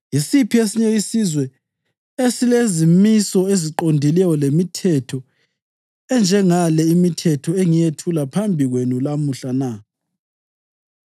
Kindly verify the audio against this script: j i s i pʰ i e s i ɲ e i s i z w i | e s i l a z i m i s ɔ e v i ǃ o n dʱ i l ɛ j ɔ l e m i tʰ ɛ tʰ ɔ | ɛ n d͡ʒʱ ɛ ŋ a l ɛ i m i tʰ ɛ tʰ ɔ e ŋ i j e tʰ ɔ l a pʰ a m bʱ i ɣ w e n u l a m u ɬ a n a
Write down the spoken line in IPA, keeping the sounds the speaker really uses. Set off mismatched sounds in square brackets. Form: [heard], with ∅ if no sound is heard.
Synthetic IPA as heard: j i s i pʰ i e s i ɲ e i s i z w [ɛ] | e s i l [e] z i m i s ɔ e [z] i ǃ o n dʱ i l ɛ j ɔ l e m i tʰ ɛ tʰ ɔ | ɛ n d͡ʒʱ ɛ ŋ a l ɛ i m i tʰ ɛ tʰ ɔ e ŋ i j e tʰ [u] l a pʰ a m bʱ i ɣ w e n u l a m u ɬ a n a